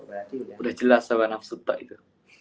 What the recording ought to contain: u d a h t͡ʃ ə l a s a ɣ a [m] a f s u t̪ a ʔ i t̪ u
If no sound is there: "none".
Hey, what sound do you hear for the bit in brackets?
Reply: n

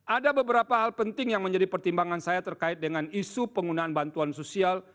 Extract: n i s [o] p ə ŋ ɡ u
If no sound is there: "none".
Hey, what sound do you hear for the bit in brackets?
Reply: u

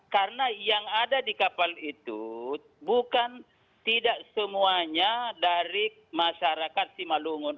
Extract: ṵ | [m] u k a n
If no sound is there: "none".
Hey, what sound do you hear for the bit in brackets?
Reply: b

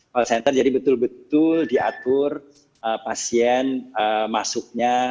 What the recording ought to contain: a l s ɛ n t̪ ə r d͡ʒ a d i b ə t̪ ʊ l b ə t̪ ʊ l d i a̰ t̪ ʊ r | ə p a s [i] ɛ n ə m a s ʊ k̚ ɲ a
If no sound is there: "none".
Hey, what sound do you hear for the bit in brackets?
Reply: i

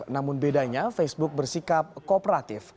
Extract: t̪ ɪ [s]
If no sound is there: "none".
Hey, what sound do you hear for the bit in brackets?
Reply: f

